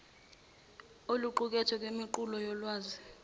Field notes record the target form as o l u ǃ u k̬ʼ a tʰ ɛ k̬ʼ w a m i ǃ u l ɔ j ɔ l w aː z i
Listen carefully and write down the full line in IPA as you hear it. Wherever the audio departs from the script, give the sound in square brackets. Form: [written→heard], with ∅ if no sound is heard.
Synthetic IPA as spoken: o l u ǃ u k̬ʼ [a→ɛ] tʰ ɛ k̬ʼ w [a→e] m i ǃ u l ɔ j ɔ l w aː z i